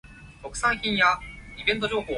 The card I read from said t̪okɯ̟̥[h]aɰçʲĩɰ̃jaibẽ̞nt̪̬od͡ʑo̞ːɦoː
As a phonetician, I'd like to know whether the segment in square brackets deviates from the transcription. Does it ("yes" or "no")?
yes